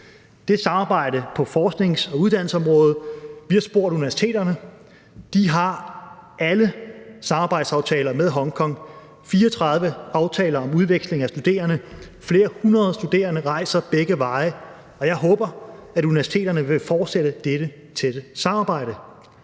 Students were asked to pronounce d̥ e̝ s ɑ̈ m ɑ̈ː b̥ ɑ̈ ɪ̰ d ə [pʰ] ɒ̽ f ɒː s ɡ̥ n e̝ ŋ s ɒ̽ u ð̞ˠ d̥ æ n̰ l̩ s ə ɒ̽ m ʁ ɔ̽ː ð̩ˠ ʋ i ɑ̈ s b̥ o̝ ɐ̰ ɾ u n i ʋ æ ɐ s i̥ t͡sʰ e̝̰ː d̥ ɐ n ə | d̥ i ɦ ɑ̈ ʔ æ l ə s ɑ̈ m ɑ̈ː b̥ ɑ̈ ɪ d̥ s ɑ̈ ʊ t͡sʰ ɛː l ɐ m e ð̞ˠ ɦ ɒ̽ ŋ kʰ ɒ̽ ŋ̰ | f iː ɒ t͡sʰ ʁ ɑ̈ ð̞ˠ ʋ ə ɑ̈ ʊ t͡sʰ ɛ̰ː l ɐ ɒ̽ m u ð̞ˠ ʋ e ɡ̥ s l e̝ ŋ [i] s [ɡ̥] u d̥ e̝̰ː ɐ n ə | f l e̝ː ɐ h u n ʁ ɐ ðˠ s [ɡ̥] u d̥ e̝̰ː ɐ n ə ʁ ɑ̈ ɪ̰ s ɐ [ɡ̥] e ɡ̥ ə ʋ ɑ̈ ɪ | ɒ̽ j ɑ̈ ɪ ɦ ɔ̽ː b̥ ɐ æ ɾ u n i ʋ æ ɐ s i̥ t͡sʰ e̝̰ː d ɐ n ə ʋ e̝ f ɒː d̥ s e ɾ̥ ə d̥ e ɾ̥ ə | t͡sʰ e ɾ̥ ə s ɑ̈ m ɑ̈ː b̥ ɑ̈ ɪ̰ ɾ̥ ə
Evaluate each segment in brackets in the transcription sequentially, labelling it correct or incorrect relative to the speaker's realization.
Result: correct, incorrect, incorrect, incorrect, incorrect

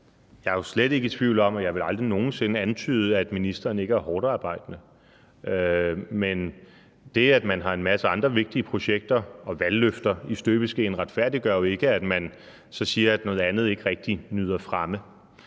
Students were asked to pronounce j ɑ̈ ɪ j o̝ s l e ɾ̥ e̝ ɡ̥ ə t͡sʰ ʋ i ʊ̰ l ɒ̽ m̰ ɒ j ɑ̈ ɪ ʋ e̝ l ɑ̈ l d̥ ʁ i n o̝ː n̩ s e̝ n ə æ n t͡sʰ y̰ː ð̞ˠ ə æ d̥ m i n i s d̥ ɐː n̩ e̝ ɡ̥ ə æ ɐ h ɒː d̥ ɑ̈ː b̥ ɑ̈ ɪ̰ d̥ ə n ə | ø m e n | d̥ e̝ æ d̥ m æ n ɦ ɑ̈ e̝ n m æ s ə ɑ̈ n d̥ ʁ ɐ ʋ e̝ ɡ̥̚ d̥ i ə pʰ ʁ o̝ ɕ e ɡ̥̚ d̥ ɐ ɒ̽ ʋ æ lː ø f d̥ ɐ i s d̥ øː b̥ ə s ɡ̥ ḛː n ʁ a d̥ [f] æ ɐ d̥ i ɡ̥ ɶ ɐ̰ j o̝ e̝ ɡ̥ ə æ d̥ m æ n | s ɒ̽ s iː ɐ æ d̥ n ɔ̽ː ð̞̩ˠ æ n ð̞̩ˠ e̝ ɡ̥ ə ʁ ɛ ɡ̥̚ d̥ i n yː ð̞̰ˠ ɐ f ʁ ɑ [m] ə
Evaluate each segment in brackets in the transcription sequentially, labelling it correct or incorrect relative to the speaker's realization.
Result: correct, correct

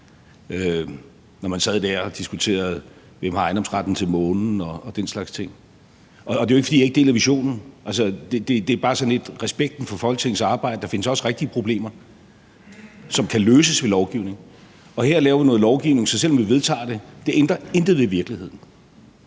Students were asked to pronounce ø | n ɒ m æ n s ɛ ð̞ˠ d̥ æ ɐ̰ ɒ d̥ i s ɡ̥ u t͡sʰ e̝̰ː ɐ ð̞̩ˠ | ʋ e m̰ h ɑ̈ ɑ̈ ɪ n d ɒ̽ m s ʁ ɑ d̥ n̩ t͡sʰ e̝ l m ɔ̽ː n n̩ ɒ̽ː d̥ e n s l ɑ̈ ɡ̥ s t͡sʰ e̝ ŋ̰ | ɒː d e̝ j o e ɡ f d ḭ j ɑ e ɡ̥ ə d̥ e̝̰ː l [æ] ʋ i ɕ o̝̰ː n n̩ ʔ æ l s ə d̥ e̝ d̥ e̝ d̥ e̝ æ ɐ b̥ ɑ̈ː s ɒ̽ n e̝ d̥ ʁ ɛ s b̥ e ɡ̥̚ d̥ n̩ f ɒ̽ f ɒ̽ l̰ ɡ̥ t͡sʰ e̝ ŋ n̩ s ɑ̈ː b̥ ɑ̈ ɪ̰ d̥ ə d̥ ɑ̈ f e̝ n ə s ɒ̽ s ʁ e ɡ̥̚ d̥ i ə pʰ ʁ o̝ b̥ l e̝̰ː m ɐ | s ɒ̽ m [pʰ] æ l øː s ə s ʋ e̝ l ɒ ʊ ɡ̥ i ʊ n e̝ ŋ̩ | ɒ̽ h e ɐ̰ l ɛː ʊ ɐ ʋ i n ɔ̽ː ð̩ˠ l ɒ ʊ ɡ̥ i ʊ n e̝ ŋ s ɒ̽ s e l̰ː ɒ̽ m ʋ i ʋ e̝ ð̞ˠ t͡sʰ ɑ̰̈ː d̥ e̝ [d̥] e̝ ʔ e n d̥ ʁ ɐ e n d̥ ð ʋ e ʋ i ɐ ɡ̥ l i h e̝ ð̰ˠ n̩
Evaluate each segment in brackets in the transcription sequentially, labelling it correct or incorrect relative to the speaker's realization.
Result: correct, incorrect, correct

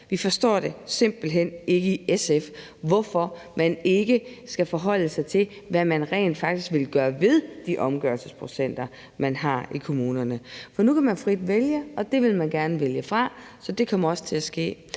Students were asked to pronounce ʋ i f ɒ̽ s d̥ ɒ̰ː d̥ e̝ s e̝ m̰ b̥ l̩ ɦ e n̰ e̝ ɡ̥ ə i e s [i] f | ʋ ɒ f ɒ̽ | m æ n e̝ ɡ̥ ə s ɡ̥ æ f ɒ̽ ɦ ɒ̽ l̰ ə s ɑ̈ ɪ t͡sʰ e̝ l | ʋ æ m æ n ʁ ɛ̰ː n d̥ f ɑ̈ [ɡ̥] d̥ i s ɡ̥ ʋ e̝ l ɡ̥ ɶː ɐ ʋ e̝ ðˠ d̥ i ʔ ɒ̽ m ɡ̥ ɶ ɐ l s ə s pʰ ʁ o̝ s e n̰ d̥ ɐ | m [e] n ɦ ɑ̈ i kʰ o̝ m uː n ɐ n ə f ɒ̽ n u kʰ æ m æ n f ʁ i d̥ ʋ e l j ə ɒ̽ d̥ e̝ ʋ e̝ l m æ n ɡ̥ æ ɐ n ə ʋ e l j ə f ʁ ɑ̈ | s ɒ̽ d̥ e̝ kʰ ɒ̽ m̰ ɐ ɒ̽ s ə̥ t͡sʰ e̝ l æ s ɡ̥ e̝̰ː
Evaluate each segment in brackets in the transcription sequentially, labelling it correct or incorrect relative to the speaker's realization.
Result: incorrect, correct, incorrect

